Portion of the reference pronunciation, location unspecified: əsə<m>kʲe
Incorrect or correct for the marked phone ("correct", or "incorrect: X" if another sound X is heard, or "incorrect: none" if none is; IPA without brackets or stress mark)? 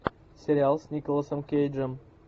correct